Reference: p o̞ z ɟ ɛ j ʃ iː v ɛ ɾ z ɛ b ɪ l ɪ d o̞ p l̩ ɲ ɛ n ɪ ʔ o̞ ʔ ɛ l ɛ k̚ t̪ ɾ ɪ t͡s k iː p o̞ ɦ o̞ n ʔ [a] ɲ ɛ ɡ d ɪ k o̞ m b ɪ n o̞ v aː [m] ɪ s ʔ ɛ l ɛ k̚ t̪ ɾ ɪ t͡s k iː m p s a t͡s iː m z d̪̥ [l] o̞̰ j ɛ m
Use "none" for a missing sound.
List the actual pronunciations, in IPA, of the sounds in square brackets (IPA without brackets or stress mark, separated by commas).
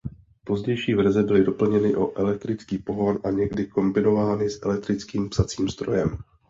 a, n, ɾ